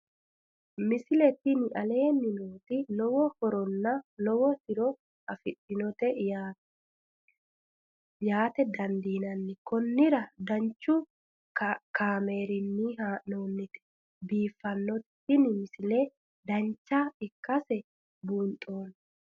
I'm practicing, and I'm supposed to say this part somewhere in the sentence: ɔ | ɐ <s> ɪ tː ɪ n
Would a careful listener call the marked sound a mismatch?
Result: yes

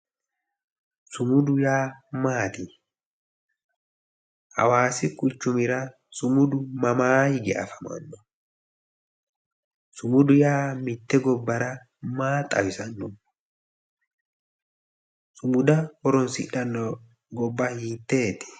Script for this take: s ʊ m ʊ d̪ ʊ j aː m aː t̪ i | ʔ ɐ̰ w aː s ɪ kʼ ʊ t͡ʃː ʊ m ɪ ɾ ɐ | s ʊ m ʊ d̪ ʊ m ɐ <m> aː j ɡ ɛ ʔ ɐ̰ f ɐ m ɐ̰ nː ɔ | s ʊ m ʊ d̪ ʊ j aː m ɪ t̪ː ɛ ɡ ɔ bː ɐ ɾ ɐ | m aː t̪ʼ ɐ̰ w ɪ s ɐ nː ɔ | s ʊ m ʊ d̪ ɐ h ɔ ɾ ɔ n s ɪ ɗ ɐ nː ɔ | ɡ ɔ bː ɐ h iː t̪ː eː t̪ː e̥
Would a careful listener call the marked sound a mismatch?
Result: no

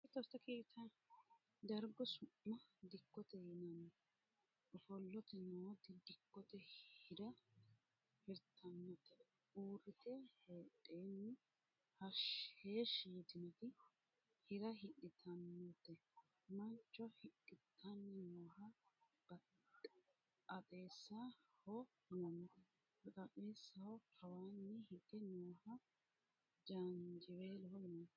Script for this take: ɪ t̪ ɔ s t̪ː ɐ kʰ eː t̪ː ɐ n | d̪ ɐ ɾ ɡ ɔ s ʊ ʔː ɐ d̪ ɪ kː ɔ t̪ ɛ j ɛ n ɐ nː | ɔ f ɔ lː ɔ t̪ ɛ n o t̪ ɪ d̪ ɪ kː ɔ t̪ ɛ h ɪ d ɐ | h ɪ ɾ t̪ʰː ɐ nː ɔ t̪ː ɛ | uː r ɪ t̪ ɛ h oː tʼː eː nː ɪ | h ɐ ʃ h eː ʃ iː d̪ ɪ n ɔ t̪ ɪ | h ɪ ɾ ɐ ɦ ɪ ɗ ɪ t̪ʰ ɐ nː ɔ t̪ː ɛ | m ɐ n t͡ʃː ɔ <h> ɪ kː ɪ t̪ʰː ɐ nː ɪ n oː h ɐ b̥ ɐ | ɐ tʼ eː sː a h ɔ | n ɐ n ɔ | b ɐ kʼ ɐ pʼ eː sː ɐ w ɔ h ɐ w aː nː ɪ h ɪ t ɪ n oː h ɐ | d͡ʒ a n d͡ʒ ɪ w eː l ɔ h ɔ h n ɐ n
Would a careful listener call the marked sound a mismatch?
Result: no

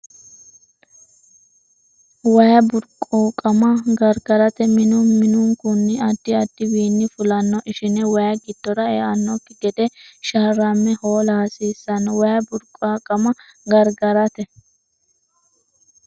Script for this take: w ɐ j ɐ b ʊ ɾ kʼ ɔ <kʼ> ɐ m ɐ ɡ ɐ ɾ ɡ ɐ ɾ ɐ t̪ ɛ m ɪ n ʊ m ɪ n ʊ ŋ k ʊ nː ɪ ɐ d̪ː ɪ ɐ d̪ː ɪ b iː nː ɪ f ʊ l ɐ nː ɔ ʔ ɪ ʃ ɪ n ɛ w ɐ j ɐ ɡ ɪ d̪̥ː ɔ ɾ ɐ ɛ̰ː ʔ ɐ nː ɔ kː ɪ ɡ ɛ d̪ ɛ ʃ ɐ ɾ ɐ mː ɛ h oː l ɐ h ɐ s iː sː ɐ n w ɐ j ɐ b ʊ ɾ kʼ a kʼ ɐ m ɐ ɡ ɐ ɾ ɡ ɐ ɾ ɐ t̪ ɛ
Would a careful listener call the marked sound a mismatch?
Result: no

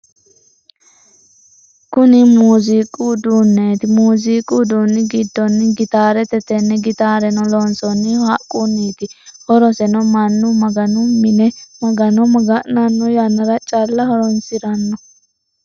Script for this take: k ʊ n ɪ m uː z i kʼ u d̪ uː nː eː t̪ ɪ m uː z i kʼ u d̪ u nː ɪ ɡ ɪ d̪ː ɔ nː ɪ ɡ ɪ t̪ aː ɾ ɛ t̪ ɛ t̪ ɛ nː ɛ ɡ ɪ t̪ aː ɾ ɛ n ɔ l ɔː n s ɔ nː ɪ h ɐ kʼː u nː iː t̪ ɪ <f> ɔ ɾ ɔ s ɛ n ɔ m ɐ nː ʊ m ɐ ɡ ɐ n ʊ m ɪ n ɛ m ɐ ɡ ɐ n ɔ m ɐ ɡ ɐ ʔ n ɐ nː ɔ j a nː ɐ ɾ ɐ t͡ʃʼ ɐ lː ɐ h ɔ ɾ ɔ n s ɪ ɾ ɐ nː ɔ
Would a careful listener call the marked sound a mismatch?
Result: yes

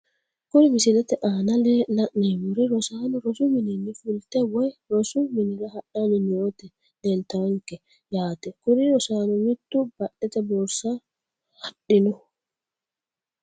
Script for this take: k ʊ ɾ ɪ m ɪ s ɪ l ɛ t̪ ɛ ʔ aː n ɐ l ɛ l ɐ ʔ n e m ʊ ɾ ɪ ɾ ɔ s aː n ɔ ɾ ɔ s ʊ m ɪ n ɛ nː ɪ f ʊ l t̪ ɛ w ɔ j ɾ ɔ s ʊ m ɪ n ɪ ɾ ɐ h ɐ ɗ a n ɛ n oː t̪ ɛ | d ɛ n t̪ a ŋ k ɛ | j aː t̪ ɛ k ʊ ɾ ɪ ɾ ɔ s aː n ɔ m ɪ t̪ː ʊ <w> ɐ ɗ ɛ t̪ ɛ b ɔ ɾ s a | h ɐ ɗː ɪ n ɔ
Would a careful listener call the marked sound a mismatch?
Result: yes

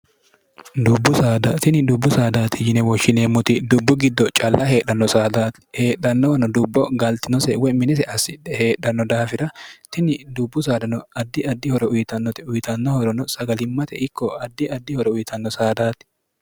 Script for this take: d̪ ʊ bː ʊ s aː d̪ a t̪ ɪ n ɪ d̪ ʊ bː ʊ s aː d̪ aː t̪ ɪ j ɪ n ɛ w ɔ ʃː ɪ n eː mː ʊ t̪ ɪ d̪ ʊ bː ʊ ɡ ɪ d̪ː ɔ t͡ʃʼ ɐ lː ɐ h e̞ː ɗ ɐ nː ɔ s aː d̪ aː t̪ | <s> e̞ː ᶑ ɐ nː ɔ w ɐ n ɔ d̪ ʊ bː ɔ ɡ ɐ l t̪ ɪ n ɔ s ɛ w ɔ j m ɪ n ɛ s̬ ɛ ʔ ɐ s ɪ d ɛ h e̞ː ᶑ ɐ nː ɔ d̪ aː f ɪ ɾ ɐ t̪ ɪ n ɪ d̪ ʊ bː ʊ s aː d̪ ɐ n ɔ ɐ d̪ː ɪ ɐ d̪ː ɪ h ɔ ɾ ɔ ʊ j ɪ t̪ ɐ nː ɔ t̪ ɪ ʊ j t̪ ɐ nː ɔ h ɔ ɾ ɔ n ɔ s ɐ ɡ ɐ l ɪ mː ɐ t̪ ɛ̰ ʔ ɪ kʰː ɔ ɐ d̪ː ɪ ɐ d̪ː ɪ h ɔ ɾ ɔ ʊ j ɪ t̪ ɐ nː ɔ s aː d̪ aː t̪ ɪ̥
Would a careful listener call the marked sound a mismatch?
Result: yes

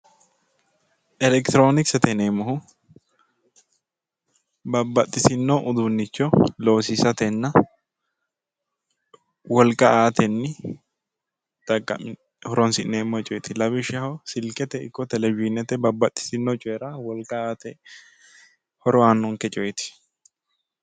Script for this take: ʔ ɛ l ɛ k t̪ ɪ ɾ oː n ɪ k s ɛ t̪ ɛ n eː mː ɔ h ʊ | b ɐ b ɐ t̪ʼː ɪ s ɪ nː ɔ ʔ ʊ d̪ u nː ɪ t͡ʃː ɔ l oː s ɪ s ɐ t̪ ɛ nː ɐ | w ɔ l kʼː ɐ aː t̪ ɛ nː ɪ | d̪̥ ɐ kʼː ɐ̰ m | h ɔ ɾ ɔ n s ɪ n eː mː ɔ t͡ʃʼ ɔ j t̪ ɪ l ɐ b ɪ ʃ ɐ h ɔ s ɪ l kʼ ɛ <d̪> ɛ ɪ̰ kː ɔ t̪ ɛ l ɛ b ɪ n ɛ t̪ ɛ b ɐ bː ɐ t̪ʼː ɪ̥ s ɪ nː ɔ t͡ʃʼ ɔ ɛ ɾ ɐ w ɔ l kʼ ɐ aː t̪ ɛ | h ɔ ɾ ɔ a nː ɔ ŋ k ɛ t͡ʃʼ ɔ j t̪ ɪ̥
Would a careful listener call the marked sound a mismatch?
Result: yes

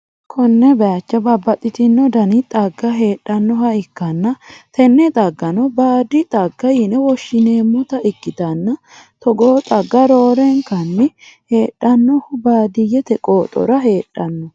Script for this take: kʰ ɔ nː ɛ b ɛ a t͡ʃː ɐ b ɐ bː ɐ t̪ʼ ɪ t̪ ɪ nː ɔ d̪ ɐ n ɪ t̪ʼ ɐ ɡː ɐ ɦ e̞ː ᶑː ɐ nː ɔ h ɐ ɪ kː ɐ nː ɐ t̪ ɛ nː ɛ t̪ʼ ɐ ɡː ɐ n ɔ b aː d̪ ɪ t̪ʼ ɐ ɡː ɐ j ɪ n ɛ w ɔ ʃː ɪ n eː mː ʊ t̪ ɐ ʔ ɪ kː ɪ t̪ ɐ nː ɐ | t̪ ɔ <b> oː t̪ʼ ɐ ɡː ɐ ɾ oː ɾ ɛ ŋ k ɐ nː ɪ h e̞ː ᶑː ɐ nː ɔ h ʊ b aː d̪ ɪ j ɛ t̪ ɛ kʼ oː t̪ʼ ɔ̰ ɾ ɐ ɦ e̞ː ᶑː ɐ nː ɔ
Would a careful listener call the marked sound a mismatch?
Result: yes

